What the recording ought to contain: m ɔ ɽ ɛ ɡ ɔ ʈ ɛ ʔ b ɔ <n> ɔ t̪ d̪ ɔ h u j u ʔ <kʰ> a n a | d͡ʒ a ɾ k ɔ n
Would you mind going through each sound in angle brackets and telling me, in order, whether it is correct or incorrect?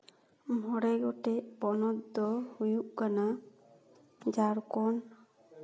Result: correct, incorrect: k

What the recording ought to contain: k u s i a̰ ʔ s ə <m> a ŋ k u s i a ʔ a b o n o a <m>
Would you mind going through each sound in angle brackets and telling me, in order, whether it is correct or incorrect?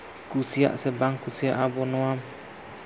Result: incorrect: b, correct

